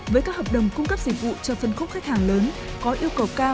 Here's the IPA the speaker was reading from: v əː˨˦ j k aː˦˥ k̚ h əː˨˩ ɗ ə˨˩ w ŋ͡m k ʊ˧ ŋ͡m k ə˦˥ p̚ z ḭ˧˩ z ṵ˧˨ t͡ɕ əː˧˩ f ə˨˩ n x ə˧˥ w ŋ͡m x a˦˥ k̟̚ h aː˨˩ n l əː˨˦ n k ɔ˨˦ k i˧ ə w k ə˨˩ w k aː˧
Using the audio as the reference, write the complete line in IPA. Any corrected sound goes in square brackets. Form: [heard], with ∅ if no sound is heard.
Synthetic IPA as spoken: v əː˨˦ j k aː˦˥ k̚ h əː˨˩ ɗ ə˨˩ w ŋ͡m k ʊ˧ ŋ͡m k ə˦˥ p̚ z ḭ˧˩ [v] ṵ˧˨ t͡ɕ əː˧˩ f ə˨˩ n x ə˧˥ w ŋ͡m x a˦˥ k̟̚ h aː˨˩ [ŋ] l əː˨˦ n k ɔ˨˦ [ʔ] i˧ ə w k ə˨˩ w k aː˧